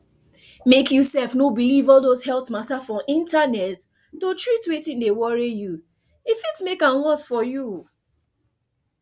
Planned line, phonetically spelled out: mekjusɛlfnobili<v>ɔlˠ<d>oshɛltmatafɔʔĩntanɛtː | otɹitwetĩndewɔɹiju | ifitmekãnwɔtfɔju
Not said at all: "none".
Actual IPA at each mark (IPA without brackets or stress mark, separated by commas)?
v, d